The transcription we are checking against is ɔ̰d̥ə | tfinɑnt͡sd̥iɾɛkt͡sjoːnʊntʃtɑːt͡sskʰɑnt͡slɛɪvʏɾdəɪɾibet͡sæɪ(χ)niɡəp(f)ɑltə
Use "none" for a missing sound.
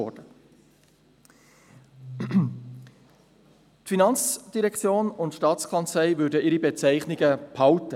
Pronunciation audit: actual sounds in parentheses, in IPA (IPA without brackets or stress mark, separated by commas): χ, h